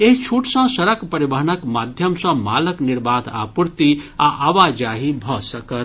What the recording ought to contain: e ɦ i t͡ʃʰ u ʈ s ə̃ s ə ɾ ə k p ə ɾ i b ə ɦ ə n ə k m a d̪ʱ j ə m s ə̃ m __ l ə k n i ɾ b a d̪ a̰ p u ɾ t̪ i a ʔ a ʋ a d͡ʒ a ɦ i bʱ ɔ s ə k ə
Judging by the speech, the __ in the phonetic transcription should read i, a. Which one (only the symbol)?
a